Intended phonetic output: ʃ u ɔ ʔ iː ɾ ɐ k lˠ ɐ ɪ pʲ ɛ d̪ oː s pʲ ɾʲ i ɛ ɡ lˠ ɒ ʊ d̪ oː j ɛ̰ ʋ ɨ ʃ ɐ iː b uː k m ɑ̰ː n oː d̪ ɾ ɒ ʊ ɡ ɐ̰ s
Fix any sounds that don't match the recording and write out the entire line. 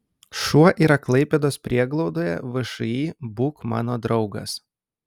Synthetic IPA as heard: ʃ u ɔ ʔ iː ɾ ɐ k lˠ ɐ ɪ pʲ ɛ d̪ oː s pʲ ɾʲ i ɛ ɡ lˠ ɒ ʊ d̪ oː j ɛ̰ ʋ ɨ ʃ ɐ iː b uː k m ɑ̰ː n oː d̪ ɾ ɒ ʊ ɡ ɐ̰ s